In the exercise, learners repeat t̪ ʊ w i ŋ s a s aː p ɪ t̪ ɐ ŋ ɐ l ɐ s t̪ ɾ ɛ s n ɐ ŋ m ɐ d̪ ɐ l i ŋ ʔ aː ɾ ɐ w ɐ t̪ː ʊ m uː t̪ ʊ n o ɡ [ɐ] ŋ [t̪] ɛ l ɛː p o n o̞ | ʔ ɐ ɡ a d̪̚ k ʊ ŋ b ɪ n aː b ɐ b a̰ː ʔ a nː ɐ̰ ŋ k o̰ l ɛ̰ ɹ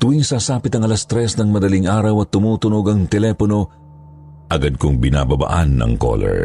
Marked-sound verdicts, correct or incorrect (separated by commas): correct, correct